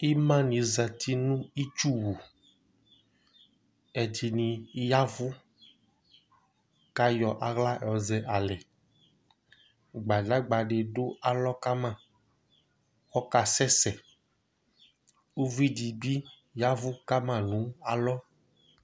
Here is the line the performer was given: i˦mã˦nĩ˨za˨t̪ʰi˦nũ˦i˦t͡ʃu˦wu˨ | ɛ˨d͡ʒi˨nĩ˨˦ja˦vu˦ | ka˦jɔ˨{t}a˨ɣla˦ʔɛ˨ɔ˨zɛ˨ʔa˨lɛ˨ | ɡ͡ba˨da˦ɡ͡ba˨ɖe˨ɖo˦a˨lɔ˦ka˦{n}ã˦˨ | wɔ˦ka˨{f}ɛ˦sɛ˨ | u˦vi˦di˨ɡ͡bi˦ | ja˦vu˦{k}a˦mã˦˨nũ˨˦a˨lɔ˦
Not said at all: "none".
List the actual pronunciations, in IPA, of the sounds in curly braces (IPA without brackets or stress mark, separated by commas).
ʔ, m, s, k